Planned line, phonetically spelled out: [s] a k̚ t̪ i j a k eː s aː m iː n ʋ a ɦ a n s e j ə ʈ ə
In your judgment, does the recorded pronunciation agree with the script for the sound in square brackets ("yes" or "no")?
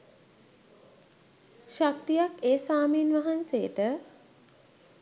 no